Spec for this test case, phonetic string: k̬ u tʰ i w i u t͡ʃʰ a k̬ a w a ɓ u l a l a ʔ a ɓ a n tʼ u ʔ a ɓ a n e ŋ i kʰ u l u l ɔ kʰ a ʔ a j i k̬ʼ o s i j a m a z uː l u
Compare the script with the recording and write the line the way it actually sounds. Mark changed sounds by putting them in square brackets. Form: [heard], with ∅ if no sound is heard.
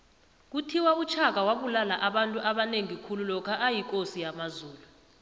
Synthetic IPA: k̬ u tʰ i w [a] u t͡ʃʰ a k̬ a w a ɓ u l a l a ʔ a ɓ a n tʼ u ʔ a ɓ a n e ŋ i kʰ u l u l ɔ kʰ a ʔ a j i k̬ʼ o s i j a m a z uː l u